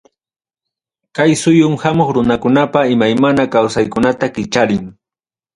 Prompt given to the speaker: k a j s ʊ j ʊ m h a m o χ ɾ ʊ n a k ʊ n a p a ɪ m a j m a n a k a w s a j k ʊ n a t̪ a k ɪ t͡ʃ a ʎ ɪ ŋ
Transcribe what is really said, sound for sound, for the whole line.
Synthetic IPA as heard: k a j s ʊ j ʊ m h a m o χ ɾ ʊ n a k ʊ n a p a ɪ m a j m a n a k a w s a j k ʊ n a t̪ a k ɪ t͡ʃ a ɾ ɪ ŋ